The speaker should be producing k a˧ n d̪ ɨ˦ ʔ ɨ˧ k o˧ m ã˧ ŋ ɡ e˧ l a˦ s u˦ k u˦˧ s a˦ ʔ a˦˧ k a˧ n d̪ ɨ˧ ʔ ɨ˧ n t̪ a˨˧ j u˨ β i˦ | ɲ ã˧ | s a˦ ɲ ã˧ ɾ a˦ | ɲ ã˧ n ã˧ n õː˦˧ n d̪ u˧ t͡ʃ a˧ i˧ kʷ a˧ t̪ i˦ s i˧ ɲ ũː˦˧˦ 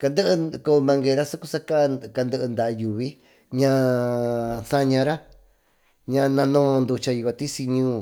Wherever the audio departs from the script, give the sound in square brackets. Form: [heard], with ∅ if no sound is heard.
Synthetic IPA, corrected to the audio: k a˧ n d̪ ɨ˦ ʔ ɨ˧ k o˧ m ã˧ ŋ ɡ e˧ [ɾ] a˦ s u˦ k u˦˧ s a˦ [k] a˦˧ k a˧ n d̪ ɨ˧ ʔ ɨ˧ n [d̪] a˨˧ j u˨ β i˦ | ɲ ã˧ | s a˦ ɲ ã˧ ɾ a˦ | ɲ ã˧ n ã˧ n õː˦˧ n d̪ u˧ t͡ʃ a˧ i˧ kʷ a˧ t̪ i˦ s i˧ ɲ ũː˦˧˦